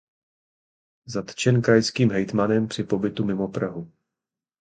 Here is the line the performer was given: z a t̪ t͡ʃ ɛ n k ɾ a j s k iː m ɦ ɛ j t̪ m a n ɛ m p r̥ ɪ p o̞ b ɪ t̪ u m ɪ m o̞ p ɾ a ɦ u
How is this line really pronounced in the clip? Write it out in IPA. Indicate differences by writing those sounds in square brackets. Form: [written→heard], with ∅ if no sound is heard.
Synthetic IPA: z a t̪ t͡ʃ ɛ n k ɾ a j s k iː m ɦ ɛ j t̪ m a n ɛ m p r̥ ɪ p o̞ b ɪ t̪ u m ɪ m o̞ p ɾ a ɦ u